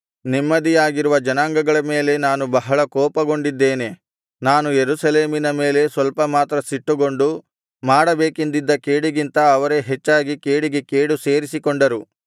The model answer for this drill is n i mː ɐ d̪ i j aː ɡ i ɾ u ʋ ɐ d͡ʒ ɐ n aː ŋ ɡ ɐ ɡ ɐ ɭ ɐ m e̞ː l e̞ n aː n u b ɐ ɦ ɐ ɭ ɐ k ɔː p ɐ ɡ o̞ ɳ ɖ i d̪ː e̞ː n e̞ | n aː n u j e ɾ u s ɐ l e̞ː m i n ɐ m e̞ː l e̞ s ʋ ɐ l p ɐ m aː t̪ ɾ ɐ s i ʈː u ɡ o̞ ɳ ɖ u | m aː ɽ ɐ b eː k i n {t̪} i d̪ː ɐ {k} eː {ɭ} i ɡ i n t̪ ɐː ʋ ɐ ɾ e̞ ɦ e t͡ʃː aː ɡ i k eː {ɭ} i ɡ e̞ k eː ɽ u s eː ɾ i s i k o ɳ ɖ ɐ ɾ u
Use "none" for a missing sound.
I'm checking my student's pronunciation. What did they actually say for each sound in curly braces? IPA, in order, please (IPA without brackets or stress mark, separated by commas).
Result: d̪, k, ɽ, ɽ